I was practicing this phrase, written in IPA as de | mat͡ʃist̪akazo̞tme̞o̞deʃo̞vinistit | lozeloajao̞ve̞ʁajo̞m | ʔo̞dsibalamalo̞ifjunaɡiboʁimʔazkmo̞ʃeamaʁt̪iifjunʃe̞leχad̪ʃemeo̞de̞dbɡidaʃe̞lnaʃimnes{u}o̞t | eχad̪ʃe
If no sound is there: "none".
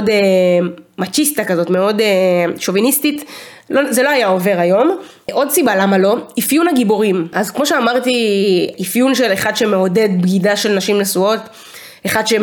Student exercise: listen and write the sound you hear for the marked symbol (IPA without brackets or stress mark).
u